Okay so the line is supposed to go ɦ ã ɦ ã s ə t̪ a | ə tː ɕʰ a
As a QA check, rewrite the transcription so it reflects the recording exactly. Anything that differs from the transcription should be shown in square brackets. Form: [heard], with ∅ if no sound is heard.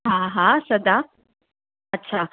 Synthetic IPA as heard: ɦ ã ɦ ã s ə [d̪] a | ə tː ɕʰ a